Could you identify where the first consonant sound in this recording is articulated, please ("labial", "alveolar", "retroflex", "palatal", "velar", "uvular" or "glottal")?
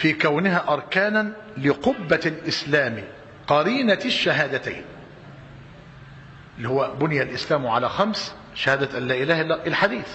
labial